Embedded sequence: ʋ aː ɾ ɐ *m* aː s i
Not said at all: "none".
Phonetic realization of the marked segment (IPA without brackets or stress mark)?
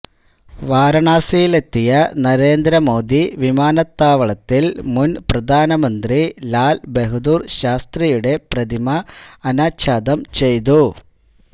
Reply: ɳ